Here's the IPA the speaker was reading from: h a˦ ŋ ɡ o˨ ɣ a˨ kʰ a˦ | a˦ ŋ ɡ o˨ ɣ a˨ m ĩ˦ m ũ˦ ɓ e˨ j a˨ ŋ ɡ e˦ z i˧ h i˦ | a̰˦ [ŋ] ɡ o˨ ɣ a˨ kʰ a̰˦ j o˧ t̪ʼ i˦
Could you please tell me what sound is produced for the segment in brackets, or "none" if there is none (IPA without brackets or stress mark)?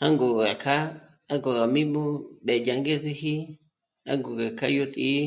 ŋ